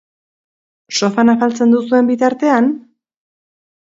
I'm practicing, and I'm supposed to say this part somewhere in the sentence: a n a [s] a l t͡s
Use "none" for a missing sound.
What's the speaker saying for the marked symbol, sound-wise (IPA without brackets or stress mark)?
f